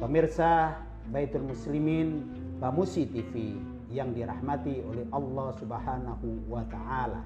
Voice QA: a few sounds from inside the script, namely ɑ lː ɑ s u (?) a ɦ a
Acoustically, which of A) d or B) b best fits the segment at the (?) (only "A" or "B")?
B